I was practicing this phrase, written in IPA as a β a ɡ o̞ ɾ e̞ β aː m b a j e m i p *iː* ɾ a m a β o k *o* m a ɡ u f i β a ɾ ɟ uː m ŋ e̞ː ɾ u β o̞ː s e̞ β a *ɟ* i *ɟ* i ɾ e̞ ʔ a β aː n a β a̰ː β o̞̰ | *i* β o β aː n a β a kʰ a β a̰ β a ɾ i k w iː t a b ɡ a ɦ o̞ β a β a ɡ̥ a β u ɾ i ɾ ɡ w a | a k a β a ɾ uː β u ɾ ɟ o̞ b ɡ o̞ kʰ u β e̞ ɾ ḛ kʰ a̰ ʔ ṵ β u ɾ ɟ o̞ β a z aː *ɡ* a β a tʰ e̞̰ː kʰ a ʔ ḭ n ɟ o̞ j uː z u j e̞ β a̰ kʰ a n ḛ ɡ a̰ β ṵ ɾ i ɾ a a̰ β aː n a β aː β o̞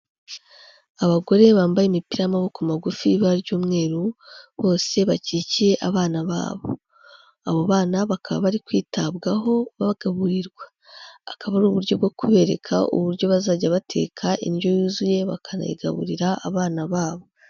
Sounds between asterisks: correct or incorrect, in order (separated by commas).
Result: incorrect, incorrect, incorrect, incorrect, incorrect, incorrect